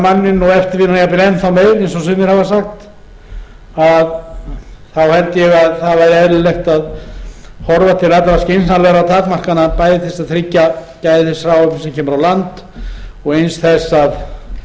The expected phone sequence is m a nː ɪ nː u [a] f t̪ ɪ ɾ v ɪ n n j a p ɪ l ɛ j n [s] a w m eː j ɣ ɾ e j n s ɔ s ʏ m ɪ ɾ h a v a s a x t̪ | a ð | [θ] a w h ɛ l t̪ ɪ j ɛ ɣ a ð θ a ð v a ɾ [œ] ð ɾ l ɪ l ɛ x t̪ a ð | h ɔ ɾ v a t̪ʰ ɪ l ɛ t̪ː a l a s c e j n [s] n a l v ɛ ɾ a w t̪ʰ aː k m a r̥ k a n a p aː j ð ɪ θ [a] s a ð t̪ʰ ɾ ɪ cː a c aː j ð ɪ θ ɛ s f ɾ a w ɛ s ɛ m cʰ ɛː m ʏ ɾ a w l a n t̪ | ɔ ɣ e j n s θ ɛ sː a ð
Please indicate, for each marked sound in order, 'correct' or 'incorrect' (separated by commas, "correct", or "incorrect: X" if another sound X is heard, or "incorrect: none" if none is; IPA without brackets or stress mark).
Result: incorrect: ɛ, incorrect: θ, correct, incorrect: ɛ, correct, incorrect: ɛ